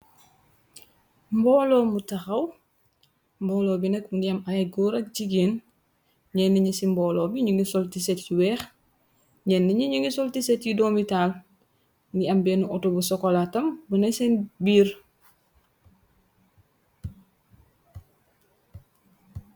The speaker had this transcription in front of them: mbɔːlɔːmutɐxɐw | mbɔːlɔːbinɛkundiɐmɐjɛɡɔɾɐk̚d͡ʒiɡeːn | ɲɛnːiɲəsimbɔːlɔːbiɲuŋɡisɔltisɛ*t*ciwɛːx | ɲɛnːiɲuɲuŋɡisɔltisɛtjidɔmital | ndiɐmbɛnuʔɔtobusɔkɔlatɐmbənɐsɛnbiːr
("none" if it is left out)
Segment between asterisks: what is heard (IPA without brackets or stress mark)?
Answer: t